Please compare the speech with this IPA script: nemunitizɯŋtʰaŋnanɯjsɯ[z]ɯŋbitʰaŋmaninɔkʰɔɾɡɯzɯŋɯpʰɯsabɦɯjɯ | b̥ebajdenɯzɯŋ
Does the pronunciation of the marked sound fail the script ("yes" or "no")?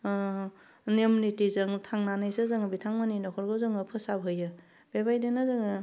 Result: no